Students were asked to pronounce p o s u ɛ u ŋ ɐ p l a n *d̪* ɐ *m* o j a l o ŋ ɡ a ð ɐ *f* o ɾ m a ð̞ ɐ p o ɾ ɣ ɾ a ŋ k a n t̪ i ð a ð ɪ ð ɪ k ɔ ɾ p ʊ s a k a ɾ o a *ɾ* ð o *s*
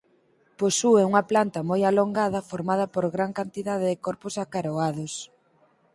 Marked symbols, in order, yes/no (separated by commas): no, yes, yes, no, yes